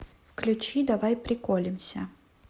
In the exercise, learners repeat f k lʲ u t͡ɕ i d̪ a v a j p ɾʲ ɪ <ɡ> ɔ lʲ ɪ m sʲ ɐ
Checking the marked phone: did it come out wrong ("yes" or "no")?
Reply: yes